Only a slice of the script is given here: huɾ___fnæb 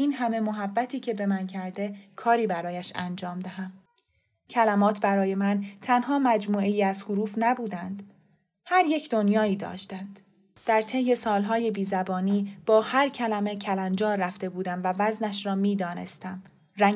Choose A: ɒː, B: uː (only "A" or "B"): B